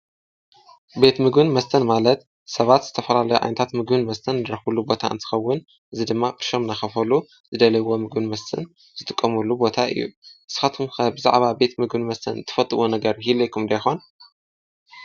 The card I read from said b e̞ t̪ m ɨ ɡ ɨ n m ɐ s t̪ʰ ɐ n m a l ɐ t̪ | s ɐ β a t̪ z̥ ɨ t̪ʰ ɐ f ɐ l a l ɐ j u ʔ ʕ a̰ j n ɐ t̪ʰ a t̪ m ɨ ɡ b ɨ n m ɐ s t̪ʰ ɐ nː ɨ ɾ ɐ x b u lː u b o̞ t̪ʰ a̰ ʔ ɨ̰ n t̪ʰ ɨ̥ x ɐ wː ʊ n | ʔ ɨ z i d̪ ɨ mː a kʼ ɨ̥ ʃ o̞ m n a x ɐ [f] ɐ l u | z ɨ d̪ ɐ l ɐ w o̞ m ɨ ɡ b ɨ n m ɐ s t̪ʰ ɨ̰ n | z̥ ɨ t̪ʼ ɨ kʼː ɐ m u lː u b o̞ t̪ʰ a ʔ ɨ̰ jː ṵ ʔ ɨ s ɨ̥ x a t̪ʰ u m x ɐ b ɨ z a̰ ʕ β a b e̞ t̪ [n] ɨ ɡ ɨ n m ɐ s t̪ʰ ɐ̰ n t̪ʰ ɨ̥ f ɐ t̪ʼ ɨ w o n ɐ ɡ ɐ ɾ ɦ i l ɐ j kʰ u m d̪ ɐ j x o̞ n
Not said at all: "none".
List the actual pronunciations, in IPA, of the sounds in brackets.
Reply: f, m

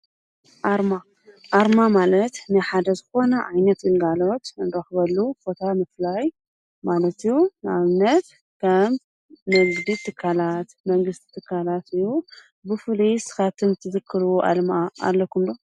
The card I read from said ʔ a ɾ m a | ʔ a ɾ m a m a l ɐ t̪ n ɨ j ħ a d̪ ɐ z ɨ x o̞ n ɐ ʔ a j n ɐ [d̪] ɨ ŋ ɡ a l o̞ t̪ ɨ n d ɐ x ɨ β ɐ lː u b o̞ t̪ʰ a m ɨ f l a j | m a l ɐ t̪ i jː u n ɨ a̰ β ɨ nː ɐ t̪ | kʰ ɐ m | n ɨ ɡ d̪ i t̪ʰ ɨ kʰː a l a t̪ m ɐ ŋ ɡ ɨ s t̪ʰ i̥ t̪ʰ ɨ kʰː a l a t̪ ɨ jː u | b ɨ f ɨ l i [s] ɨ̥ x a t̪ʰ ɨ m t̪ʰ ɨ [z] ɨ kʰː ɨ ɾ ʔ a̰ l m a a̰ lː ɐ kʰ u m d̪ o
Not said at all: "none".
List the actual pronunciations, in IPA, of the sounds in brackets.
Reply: t̪, s, z

